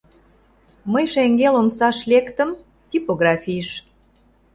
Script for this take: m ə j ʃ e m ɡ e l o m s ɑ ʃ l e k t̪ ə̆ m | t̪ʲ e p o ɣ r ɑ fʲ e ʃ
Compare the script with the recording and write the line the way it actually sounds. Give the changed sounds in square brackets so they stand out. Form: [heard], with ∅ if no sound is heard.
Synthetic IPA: m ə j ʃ e [ŋ] ɡ e l o m s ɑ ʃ l e k t̪ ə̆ m | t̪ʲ [i] p o ɣ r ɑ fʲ [i] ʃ